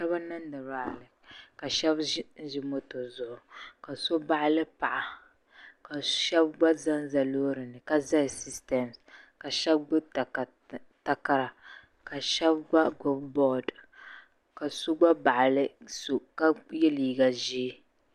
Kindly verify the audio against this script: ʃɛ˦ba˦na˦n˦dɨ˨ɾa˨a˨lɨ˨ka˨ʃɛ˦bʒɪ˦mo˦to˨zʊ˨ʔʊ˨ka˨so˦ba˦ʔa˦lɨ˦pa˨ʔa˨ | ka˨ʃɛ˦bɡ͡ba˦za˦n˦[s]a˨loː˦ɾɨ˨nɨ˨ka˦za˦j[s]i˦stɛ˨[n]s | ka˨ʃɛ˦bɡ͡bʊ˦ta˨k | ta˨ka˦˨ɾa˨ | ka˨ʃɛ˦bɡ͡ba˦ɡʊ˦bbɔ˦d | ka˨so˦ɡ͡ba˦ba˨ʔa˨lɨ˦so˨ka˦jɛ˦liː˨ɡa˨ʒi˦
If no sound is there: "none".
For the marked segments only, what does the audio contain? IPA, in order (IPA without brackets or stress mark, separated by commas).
z, s, m